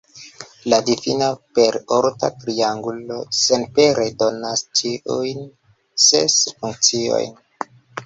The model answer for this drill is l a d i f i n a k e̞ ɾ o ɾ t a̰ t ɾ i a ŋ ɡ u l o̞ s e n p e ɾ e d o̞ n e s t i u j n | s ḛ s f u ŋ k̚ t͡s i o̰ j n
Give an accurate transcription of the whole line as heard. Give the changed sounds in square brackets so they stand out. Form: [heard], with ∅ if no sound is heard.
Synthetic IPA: l a d i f i n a [p] e̞ ɾ o ɾ t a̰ t ɾ i a ŋ ɡ u l o̞ s e n p e ɾ e d o̞ n [a] s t i u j n | s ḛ s f u ŋ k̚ t͡s i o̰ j n

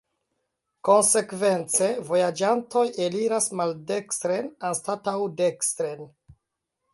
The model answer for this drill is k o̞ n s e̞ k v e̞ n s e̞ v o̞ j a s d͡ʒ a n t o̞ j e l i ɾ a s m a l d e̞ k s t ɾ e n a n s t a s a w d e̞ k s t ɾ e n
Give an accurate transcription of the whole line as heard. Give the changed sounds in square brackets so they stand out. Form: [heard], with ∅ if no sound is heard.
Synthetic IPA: k o̞ n s e̞ k v e̞ n [t͡s] e̞ v o̞ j a [∅] d͡ʒ a n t o̞ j e l i ɾ a s m a l d e̞ k s t ɾ e n a n s t a [t] a w d e̞ k s t ɾ e n

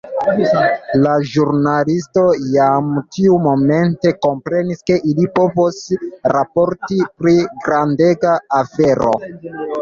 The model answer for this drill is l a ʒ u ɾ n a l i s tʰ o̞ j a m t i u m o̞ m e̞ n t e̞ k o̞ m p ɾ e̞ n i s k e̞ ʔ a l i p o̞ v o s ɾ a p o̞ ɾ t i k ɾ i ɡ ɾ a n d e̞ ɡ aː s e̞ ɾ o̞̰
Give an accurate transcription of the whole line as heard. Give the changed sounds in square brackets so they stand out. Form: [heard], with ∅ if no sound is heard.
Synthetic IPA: l a ʒ u ɾ n a l i s [t] o̞ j a m t i u m o̞ m e̞ n t e̞ k o̞ m p ɾ e̞ n i s k e̞ ʔ [i] l i p o̞ v o s ɾ a p o̞ ɾ t i [p] ɾ i ɡ ɾ a n d e̞ ɡ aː [f] e̞ ɾ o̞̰

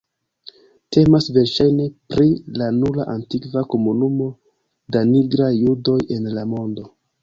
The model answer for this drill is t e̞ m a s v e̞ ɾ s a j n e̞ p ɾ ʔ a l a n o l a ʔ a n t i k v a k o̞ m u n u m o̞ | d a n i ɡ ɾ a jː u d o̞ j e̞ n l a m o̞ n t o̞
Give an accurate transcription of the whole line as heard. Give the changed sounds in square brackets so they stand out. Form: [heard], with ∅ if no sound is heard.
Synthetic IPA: t e̞ m a s v e̞ ɾ [ʃ] a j n e̞ p ɾ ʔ [i] l a n [u] l a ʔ a n t i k v a k o̞ m u n u m o̞ | d a n i ɡ ɾ a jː u d o̞ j e̞ n l a m o̞ n [d] o̞

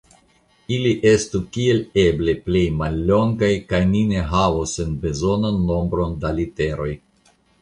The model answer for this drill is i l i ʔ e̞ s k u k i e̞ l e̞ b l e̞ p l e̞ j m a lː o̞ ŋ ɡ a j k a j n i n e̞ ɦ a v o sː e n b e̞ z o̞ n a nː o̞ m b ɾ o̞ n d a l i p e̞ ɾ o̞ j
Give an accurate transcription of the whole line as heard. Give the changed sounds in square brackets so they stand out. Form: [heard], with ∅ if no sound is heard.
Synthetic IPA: i l i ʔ e̞ s [t] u k i e̞ l e̞ b l e̞ p l e̞ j m a lː o̞ ŋ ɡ a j k a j n i n e̞ ɦ a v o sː e n b e̞ z o̞ n a nː o̞ m b ɾ o̞ n d a l i [t] e̞ ɾ o̞ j

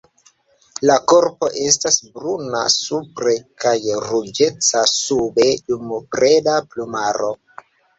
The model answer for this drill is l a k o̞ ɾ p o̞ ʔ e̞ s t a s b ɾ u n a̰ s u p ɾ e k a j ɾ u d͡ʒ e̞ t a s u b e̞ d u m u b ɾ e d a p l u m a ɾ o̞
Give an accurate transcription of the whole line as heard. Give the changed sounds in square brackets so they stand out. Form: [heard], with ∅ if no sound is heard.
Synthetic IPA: l a k o̞ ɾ p o̞ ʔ e̞ s t a s b ɾ u n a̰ s u p ɾ e k a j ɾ u d͡ʒ e̞ [t͡s] a s u b e̞ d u m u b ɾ e d a p l u m a ɾ o̞

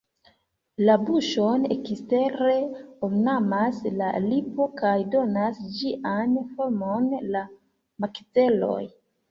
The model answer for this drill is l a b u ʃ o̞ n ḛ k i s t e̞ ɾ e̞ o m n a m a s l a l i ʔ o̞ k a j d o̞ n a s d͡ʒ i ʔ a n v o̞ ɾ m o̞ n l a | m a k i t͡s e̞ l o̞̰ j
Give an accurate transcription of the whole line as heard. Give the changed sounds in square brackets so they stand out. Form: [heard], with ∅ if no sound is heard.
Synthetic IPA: l a b u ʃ o̞ n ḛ k i s t e̞ ɾ e̞ o m n a m a s l a l i [p] o̞ k a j d o̞ n a s d͡ʒ i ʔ a n [f] o̞ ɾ m o̞ n l a | m a k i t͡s e̞ l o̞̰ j

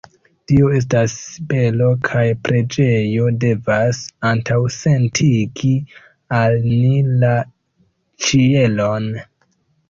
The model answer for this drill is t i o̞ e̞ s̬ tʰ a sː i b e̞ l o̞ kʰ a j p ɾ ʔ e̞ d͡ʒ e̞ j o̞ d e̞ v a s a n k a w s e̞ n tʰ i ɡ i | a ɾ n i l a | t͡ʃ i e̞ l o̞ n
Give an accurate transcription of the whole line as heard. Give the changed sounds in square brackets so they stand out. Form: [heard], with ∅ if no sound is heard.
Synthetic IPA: t i o̞ e̞ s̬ [t] a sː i b e̞ l o̞ kʰ a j p ɾ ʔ e̞ d͡ʒ e̞ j o̞ d e̞ v a s a n [t] a w s e̞ n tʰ i ɡ i | a [l] n i l a | t͡ʃ i e̞ l o̞ n

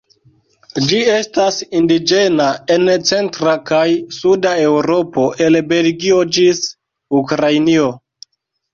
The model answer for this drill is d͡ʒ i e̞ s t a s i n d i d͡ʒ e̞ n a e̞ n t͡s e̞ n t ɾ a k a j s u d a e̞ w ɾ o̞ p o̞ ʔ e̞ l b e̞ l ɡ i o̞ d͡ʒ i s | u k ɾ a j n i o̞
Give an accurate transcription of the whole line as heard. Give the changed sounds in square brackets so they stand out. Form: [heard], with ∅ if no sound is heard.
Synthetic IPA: d͡ʒ i e̞ s t a s i n d i d͡ʒ e̞ n a e̞ n t͡s e̞ n t ɾ a k a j s u d a e̞ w ɾ o̞ p o̞ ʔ e̞ l b e̞ l ɡ i o̞ d͡ʒ i s | u k ɾ a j n i o̞

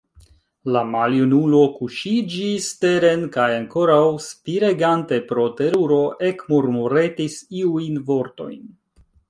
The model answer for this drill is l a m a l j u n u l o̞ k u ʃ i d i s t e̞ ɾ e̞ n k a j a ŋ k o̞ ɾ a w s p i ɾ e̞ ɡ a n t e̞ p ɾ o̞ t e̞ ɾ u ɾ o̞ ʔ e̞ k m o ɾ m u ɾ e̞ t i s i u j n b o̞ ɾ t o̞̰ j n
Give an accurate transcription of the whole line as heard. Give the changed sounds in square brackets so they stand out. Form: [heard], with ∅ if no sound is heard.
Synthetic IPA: l a m a l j u n u l o̞ k u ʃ i [d͡ʒ] i s t e̞ ɾ e̞ n k a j a ŋ k o̞ ɾ a w s p i ɾ e̞ ɡ a n t e̞ p ɾ o̞ t e̞ ɾ u ɾ o̞ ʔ e̞ k m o ɾ m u ɾ e̞ t i s i u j n [v] o̞ ɾ t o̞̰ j n

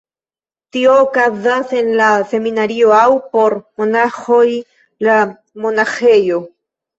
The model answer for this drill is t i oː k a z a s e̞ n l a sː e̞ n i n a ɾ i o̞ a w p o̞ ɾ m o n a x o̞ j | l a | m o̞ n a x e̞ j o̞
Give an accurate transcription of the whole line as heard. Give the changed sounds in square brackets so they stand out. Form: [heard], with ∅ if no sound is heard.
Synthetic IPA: t i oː k a z a s e̞ n l a [s] e̞ [m] i n a ɾ i o̞ a w p o̞ ɾ m o n a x o̞ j | l a | m o̞ n a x e̞ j o̞

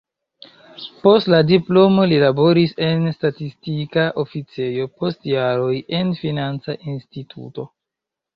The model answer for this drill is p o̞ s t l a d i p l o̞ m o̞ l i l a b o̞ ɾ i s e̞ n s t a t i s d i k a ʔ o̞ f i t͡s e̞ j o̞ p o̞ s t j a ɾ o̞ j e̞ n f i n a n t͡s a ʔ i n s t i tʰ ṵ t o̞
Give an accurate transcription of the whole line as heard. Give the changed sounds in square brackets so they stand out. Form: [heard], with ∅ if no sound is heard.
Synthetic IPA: p o̞ s t l a d i p l o̞ m o̞ l i l a b o̞ ɾ i s e̞ n s t a t i s [t] i k a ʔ o̞ f i t͡s e̞ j o̞ p o̞ s t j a ɾ o̞ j e̞ n f i n a n t͡s a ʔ i n s t i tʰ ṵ t o̞

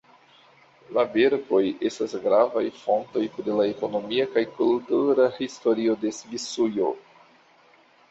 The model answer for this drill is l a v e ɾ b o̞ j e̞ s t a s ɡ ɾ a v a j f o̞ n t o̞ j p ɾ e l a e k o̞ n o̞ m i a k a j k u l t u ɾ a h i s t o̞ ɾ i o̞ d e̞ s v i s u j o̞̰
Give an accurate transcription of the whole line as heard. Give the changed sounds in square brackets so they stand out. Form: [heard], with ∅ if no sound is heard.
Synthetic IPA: l a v e ɾ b o̞ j e̞ s t a s ɡ ɾ a v a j f o̞ n t o̞ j p ɾ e l a e k o̞ n o̞ m i a k a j k u l t u ɾ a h i s t o̞ ɾ i o̞ d e̞ s v i s u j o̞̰

